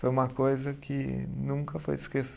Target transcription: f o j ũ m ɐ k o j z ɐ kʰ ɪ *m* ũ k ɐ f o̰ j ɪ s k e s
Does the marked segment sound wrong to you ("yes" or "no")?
yes